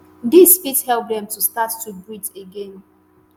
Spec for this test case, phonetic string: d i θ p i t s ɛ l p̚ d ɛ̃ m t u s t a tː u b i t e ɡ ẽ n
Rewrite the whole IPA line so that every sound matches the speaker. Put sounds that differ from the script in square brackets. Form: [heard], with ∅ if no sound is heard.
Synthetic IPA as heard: d i [s] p i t [h] ɛ l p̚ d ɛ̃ m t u s t a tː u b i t e ɡ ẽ n